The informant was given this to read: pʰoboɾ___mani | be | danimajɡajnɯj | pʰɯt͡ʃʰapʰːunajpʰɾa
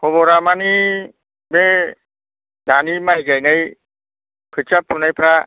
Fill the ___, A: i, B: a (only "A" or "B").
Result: B